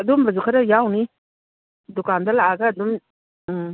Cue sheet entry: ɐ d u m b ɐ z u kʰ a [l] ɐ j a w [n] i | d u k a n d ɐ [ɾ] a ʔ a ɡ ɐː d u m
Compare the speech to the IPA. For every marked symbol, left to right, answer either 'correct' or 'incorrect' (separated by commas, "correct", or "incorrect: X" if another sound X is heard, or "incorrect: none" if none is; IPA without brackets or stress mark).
incorrect: ɾ, correct, incorrect: l